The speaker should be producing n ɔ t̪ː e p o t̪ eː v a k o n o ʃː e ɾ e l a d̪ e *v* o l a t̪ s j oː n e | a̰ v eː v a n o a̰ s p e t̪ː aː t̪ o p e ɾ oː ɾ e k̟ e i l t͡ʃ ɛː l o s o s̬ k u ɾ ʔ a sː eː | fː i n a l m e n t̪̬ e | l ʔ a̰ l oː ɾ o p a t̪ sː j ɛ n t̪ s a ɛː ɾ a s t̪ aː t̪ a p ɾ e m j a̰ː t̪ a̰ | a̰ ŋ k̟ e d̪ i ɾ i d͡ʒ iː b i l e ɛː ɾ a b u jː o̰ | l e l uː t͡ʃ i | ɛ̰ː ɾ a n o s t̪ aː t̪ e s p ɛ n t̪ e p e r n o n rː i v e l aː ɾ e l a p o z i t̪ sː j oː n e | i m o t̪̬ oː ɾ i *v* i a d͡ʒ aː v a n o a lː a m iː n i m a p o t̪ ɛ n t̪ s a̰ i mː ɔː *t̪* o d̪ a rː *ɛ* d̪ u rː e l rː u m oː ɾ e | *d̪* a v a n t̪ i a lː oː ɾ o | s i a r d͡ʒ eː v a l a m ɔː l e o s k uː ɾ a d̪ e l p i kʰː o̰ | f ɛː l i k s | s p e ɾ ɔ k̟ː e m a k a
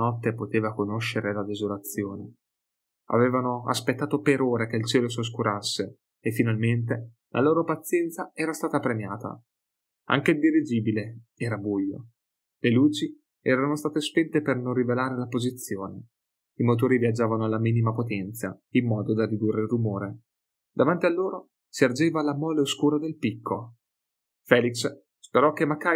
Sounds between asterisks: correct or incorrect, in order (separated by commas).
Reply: incorrect, correct, incorrect, incorrect, correct